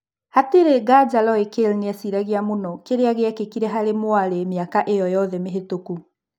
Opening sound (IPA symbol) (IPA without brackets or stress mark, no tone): h